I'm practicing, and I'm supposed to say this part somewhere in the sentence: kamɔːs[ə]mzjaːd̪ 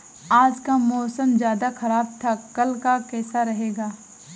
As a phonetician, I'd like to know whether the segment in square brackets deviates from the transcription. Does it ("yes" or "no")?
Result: no